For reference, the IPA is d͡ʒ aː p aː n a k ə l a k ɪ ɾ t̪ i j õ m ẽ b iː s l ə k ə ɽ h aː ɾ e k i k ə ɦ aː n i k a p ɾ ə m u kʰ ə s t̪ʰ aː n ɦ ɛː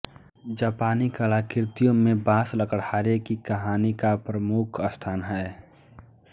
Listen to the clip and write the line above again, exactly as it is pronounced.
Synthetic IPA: d͡ʒ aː p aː n i k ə l a k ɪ ɾ t̪ i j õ m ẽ b aː s l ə k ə ɽ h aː ɾ e k i k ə ɦ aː n i k a p ɾ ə m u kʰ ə s t̪ʰ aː n ɦ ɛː